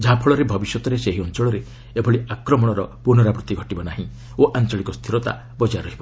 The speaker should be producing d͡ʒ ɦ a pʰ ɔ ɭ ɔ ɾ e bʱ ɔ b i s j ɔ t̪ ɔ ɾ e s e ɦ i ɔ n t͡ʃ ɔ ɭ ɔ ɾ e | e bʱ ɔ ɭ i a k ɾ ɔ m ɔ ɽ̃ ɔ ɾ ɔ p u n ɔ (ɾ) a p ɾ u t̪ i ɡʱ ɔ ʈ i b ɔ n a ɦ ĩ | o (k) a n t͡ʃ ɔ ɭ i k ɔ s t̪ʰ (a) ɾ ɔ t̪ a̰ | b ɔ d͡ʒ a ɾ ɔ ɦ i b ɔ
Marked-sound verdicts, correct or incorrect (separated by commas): correct, incorrect, incorrect